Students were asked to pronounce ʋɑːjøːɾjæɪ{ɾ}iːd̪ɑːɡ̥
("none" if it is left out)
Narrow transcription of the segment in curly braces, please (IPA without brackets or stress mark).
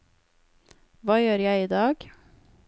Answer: none